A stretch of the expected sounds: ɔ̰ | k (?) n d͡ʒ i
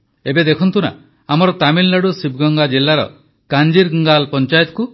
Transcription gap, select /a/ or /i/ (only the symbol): a